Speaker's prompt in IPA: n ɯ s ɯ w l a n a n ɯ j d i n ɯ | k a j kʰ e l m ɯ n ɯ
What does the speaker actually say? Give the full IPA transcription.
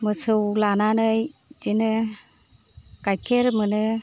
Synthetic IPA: m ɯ s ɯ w l a n a n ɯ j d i n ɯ | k a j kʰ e ɾ m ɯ n ɯ